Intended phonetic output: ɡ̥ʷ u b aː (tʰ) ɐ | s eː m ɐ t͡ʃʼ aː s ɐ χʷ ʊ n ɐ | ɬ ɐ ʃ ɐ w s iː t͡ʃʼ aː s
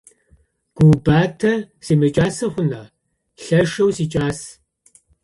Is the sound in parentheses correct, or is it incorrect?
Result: correct